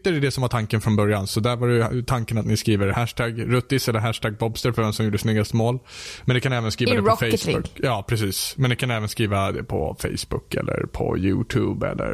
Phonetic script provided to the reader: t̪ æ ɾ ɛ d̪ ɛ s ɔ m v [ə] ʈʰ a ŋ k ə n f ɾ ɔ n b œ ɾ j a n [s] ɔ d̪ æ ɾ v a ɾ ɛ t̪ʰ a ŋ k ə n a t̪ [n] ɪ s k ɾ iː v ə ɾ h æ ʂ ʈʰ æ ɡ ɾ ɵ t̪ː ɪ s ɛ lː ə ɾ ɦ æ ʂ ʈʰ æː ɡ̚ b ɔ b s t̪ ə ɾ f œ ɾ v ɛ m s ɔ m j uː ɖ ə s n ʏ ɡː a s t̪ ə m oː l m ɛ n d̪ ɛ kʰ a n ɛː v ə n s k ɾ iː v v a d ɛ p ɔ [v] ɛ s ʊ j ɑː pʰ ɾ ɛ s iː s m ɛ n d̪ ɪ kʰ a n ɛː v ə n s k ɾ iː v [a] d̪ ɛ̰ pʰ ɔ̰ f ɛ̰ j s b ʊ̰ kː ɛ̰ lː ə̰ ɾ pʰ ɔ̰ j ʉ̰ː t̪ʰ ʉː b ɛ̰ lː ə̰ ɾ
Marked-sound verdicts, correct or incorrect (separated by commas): incorrect, correct, correct, incorrect, correct